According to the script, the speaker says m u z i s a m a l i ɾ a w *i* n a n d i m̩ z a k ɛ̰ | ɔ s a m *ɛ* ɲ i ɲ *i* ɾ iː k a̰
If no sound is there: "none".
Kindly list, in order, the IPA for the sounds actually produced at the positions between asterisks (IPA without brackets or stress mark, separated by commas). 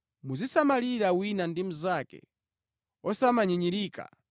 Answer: i, a, i